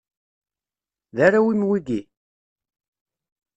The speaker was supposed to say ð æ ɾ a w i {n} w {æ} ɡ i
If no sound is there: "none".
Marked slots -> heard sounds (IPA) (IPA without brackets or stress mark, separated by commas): m, i